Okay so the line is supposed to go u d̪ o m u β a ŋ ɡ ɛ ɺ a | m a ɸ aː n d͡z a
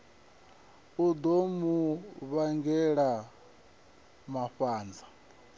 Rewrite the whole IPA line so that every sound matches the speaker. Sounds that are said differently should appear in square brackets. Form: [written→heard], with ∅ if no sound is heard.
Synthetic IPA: u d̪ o m u β a ŋ ɡ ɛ ɺ a | m a ɸ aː n d͡z a